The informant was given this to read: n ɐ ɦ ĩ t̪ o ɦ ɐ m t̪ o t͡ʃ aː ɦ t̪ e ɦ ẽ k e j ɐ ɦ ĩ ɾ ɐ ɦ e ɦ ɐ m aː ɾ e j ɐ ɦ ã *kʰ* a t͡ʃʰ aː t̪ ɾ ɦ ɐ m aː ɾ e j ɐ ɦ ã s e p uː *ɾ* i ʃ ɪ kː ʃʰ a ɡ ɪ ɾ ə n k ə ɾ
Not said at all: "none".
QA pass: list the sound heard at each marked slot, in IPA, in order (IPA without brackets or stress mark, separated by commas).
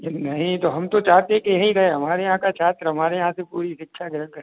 k, ɾ